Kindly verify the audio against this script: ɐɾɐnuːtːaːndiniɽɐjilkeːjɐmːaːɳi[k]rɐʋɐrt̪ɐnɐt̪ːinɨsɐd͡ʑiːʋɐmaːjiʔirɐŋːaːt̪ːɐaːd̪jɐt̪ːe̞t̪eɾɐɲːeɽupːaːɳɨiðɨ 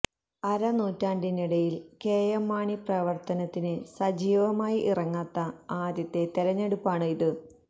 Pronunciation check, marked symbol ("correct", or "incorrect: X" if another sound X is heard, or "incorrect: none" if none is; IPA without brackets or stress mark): incorrect: p